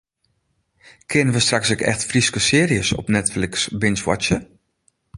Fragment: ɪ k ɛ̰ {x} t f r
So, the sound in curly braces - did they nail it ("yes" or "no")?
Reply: yes